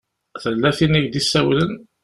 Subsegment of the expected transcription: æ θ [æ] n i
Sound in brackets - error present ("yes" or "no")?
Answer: yes